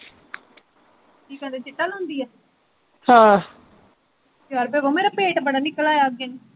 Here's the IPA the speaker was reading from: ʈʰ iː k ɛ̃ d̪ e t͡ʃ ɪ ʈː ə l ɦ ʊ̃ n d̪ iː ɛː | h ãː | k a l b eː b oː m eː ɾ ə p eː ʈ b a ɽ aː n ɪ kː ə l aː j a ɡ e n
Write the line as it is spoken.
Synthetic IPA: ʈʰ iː k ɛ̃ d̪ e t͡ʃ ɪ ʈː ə l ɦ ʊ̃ n d̪ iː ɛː | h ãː | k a ɾ b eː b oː m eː ɾ a p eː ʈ b ə ɽ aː n ɪ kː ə l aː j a ɡ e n